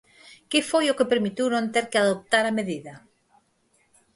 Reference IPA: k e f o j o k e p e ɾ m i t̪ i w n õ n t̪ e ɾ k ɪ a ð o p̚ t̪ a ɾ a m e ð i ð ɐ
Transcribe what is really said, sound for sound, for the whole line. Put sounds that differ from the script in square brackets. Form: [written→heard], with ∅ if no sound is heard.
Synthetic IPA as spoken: k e f o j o k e p e ɾ m i t̪ i w n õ n t̪ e ɾ k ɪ a ð o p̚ t̪ a ɾ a m e ð i ð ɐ